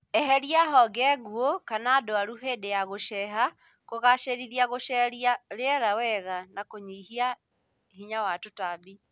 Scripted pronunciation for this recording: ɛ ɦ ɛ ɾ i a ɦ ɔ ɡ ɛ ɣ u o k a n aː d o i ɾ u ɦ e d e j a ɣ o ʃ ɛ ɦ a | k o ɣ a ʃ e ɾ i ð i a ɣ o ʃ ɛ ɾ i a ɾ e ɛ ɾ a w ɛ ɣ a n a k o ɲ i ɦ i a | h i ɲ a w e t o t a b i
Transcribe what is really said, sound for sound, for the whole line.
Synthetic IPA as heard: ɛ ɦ ɛ ɾ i a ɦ ɔ ɡ ɛ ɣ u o k a n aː d o a ɾ u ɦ e d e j a ɣ o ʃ ɛ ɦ a | k o ɣ a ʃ e ɾ i ð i a ɣ o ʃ ɛ ɾ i a ɾ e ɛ ɾ a w ɛ ɣ a n a k o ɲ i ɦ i a | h i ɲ a w a t o t a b i